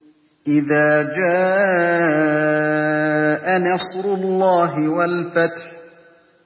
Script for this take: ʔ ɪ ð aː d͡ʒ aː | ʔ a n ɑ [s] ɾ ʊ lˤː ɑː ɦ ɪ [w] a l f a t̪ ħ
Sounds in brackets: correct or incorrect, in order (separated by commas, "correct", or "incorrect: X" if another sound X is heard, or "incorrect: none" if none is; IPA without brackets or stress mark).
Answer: correct, correct